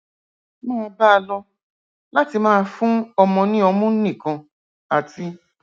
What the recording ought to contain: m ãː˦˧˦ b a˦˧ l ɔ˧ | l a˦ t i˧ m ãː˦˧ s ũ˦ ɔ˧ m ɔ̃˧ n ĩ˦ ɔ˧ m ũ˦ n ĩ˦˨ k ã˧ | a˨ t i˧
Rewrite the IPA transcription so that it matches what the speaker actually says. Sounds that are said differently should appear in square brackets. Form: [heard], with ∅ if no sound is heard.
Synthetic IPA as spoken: m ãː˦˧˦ b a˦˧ l ɔ˧ | l a˦ t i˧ m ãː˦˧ [f] ũ˦ ɔ˧ m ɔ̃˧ n ĩ˦ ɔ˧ m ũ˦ n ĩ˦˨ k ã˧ | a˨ t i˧